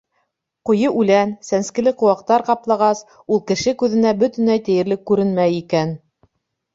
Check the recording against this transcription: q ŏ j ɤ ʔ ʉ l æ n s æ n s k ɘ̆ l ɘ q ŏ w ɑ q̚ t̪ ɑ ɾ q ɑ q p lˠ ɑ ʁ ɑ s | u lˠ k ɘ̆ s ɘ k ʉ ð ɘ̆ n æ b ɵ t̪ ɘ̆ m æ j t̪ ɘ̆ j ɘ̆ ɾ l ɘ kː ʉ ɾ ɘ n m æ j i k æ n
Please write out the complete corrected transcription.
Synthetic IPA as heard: q ŏ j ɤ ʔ ʉ l æ n s æ n s k ɘ̆ l ɘ q ŏ w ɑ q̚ t̪ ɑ ɾ q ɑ p lˠ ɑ ʁ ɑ s | u lˠ k ɘ̆ ʃ ɘ k ʉ ð ɘ̆ n æ b ɵ t̪ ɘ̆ n æ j t̪ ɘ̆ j ɘ̆ ɾ l ɘ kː ʉ ɾ ɘ n m æ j i k æ n